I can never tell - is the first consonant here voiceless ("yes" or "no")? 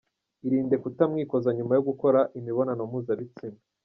no